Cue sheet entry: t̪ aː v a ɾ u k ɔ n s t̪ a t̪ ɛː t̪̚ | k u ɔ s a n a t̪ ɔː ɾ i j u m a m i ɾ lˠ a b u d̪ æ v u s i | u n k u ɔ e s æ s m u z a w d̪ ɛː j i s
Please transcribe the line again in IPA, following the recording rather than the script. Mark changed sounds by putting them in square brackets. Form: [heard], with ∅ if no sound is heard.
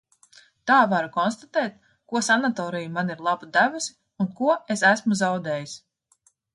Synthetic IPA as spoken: t̪ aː v a ɾ u k ɔ n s t̪ a t̪ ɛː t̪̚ | k u ɔ s a n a t̪ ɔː ɾ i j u m a [n] i ɾ lˠ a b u d̪ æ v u s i | u n k u ɔ e s æ s m u z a w d̪ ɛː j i s